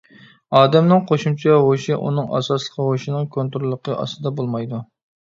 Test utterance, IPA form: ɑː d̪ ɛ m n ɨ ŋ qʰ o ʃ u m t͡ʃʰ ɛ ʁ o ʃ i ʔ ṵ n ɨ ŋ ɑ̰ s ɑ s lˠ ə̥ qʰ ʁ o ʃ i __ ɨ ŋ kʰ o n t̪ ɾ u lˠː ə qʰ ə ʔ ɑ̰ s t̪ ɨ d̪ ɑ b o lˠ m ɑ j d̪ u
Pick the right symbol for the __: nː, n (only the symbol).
n